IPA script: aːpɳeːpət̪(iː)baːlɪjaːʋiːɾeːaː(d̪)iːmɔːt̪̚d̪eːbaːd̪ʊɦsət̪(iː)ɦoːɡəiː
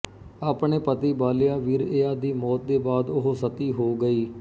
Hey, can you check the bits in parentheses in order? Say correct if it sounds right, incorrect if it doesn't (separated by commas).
correct, correct, correct